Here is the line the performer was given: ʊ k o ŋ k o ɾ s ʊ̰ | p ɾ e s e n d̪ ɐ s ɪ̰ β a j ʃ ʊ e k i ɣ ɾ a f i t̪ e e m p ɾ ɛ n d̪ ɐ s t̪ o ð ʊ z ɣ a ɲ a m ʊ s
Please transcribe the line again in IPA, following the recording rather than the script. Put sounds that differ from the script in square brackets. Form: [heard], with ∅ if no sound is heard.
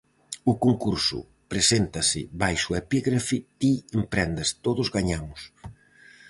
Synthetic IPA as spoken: ʊ k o ŋ k [u] ɾ s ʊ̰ | p ɾ e s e n [t̪] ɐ s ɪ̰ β a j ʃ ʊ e [p] i ɣ ɾ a f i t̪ [i] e m p ɾ ɛ n d̪ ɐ s t̪ o ð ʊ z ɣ a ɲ a m ʊ s